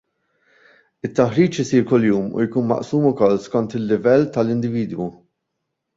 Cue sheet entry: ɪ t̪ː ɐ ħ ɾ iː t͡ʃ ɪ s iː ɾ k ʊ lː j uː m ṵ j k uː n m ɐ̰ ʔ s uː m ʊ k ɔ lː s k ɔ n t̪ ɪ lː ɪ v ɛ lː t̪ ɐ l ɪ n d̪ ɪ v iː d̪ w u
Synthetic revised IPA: ɪ t̪ː ɐ ħ ɾ iː t͡ʃ ɪ s iː ɾ k ʊ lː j uː m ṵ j k uː n m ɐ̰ ʔ s uː m ʊ k ɔ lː s k ɔ n t̪ ɪ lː ɪ v ɛ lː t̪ ɐ l ɪ n d̪ ɪ v iː d̪ w u

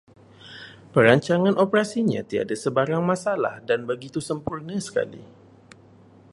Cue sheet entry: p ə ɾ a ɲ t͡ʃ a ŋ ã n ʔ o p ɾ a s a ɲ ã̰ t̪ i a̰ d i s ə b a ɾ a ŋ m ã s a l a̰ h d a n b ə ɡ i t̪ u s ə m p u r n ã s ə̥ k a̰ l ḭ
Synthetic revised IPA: p ə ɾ a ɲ t͡ʃ a ŋ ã n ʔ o p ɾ a s i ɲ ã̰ t̪ i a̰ d a s ə b a ɾ a ŋ m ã s a l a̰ h d a n b ə ɡ i t̪ u s ə m p u r n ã s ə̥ k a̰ l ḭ

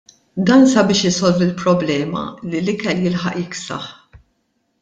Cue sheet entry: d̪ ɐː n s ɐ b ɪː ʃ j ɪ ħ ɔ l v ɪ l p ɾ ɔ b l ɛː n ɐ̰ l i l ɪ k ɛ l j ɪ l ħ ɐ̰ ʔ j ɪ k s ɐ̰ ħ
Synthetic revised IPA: d̪ ɐː n s ɐ b ɪː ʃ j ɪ s ɔ l v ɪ l p ɾ ɔ b l ɛː m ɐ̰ l i l ɪ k ɛ l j ɪ l ħ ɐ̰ ʔ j ɪ k s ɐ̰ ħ

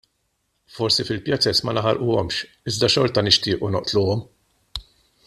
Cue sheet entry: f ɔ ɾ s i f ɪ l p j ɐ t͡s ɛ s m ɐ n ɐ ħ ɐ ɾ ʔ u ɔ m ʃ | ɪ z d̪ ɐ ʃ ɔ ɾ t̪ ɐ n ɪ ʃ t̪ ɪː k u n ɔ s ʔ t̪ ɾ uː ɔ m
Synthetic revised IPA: f ɔ ɾ s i f ɪ l p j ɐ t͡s ɛ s m ɐ n ɐ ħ ɐ ɾ ʔ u ɔ m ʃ | ɪ z d̪ ɐ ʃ ɔ ɾ t̪ ɐ n ɪ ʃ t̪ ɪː ʔ u n ɔ ʔ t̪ l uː ɔ m

